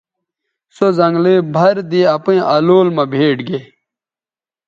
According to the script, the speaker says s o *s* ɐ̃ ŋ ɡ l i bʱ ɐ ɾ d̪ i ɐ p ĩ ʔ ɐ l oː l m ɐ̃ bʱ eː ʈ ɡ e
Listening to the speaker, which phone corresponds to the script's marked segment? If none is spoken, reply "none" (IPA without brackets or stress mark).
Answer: z